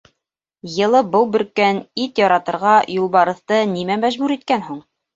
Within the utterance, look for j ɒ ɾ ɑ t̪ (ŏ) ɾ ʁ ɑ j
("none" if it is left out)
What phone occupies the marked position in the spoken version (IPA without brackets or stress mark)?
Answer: ɤ̆